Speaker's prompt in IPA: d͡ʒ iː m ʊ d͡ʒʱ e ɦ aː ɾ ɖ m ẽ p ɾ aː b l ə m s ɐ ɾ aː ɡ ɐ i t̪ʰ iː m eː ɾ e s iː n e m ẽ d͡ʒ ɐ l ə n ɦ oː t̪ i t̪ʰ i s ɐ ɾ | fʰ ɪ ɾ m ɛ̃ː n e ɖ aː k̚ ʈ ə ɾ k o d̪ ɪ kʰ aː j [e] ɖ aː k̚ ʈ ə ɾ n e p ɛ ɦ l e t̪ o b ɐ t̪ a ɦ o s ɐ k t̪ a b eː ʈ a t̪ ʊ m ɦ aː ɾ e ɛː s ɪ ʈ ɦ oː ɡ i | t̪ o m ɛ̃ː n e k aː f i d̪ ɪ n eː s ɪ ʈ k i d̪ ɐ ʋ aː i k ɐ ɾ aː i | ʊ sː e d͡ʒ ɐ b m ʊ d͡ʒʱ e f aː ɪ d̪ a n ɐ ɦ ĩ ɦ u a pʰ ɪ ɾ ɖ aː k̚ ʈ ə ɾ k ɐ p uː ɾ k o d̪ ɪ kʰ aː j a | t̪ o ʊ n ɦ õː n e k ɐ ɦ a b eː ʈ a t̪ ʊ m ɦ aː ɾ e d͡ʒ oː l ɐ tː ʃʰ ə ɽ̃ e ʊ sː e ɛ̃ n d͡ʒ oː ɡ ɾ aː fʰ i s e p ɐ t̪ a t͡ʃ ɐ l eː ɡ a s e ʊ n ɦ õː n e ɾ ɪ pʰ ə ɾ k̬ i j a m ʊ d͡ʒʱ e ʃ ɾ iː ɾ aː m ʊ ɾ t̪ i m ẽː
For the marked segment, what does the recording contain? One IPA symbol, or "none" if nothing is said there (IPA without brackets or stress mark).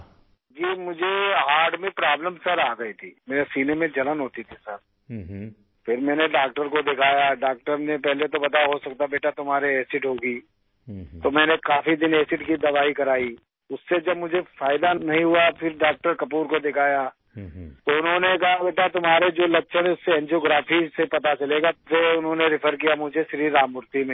a